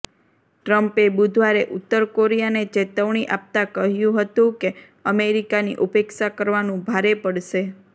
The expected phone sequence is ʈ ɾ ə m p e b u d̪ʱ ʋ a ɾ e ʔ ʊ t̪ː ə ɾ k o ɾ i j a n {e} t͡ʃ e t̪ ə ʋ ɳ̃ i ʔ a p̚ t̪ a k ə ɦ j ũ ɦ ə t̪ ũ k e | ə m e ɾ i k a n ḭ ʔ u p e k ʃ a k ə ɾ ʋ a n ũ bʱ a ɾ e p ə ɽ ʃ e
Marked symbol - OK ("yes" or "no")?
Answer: yes